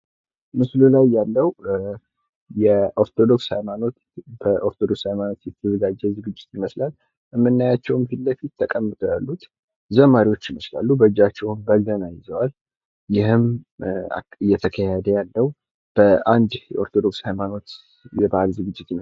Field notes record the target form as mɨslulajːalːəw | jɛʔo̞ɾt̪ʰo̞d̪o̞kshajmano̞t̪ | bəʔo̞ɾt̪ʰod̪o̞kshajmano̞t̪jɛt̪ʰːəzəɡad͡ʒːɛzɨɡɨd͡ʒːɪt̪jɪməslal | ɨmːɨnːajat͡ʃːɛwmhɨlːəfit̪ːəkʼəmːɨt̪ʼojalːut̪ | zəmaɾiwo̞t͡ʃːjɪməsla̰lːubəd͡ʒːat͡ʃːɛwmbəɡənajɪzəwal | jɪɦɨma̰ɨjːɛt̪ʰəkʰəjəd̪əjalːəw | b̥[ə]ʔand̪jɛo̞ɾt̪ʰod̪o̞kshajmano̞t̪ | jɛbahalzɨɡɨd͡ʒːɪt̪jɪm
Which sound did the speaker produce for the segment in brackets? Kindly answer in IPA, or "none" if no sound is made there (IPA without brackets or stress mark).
ə